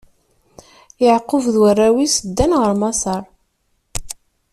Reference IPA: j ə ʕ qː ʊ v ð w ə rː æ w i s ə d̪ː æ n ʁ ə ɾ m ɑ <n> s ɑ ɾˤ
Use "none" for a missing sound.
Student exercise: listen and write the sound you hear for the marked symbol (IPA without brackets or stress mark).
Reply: none